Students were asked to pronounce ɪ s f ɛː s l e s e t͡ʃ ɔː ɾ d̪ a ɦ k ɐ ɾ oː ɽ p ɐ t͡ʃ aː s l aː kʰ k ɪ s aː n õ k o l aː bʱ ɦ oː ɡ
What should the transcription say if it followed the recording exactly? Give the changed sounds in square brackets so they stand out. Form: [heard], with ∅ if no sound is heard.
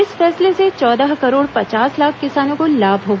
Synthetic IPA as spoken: ɪ s f ɛː s l e s e t͡ʃ ɔː [∅] d̪ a ɦ k ɐ ɾ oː ɽ p ɐ t͡ʃ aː s l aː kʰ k ɪ s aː n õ k o l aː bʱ ɦ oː ɡ